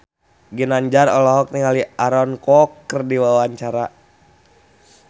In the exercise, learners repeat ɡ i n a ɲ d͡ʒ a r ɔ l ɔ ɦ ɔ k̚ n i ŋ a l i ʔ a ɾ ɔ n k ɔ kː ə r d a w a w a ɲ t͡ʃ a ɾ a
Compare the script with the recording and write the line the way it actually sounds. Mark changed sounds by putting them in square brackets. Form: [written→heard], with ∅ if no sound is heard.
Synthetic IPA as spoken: ɡ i n a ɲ d͡ʒ a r ɔ l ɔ ɦ ɔ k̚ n i ŋ a l i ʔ a ɾ ɔ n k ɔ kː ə r d [a→i] w a w a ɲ t͡ʃ a ɾ a